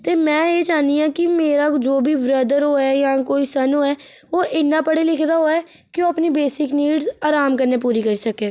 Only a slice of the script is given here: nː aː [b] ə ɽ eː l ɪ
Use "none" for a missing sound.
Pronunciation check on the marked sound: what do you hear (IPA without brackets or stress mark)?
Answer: p